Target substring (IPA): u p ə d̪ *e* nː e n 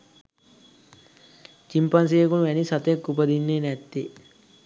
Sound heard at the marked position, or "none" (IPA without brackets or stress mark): i